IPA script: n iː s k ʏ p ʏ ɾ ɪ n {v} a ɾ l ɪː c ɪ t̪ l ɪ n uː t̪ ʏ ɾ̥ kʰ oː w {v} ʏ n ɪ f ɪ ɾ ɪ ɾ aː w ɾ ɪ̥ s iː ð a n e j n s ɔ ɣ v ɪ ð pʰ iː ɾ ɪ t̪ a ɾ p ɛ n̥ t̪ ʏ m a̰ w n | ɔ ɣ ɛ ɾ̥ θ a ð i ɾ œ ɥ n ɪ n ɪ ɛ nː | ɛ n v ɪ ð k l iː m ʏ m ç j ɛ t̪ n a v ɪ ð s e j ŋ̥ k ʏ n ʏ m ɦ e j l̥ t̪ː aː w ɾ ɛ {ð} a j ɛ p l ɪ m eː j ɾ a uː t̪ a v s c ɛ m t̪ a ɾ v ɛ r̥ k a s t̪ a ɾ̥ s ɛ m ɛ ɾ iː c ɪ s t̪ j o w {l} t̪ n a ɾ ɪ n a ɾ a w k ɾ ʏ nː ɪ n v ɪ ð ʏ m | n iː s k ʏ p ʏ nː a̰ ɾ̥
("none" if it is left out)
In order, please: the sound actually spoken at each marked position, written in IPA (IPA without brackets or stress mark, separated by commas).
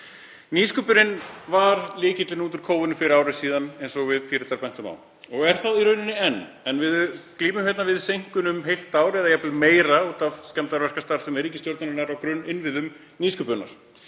v, v, ð, ɾ